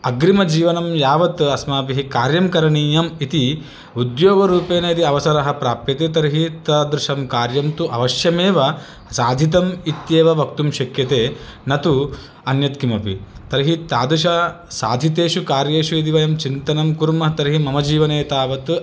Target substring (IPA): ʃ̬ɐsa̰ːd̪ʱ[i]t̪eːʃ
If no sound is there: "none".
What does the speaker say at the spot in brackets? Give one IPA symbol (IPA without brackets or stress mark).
i